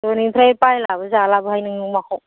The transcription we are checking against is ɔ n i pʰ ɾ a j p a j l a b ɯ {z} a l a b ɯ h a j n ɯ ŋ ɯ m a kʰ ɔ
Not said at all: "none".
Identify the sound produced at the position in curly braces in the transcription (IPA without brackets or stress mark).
z